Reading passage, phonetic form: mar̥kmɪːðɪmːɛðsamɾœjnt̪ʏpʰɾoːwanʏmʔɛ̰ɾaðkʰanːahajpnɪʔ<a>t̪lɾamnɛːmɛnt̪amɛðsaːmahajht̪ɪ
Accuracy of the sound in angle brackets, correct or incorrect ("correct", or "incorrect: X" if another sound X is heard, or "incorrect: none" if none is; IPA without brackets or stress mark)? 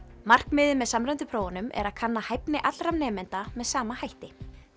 correct